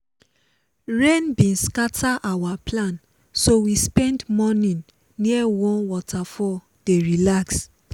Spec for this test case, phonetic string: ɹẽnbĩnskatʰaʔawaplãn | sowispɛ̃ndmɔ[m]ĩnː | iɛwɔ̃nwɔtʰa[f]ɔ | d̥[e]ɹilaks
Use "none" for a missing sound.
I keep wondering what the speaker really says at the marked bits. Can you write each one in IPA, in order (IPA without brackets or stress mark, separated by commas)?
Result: n, f, e